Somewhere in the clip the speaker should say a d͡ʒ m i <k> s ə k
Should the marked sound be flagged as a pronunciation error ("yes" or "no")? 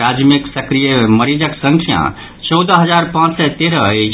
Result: no